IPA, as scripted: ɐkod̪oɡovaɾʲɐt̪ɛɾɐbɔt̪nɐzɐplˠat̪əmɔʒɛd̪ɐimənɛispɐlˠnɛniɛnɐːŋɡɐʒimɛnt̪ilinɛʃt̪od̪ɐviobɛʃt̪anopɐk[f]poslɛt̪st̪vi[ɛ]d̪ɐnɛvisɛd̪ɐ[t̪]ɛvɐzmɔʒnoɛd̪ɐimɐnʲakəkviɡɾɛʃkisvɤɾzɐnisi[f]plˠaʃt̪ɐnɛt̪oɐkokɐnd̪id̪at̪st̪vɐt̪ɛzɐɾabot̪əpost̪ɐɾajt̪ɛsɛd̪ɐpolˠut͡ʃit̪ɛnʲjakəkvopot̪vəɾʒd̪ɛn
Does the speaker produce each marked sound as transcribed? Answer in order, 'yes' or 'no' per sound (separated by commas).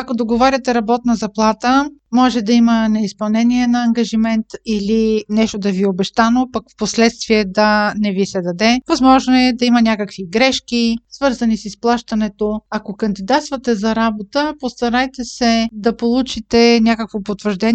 yes, yes, no, no